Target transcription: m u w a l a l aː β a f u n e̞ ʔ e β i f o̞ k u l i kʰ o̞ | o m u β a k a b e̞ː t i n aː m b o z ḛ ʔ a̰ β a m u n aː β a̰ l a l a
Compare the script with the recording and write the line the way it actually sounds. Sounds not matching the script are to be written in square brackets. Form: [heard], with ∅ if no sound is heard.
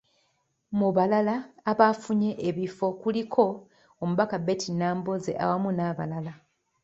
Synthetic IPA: m u [β] a l a l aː β a f u [ɲ] e̞ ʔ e β i f o̞ k u l i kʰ o̞ | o m u β a k a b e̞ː t i n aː m b o z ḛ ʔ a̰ [w] a m u n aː β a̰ l a l a